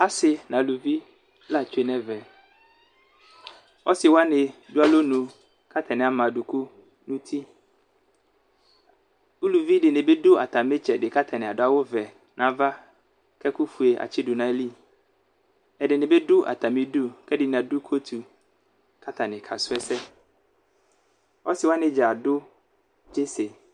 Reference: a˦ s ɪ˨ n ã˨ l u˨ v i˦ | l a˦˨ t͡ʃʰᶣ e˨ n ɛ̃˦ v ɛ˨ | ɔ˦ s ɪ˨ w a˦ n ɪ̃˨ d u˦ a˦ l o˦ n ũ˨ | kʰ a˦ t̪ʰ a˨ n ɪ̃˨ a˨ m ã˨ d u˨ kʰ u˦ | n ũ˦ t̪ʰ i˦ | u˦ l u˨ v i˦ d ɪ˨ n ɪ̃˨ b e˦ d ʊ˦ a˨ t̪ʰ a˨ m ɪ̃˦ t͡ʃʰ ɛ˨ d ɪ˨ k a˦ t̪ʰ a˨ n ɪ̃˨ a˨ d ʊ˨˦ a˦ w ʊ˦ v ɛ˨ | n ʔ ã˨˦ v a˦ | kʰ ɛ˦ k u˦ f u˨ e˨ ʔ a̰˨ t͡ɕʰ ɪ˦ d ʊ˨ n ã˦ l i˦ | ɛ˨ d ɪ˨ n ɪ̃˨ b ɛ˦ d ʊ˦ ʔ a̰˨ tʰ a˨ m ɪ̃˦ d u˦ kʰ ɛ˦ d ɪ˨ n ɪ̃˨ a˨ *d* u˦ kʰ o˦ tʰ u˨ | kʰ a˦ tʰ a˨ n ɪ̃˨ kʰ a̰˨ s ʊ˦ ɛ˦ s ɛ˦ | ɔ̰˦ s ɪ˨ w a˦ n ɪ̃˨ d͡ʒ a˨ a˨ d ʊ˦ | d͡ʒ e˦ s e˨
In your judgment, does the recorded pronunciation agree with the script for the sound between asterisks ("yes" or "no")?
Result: yes